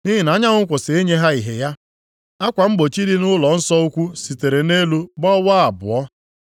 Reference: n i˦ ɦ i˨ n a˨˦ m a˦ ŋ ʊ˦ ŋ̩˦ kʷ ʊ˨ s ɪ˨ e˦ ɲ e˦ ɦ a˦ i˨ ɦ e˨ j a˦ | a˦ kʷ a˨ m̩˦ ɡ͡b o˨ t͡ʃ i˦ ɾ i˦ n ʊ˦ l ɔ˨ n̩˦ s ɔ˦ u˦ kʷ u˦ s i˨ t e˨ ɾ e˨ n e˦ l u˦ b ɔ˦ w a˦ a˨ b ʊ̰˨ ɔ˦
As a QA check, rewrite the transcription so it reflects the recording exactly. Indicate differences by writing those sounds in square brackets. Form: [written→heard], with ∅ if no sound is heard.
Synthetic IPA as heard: n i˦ ɦ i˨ n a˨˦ [m→ɲ] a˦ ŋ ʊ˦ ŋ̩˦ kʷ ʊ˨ s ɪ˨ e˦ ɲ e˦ ɦ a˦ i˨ ɦ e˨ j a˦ | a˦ kʷ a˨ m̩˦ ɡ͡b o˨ t͡ʃ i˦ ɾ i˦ n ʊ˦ l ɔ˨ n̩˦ s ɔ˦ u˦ kʷ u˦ s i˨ t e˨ ɾ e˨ n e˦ l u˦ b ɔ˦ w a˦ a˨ b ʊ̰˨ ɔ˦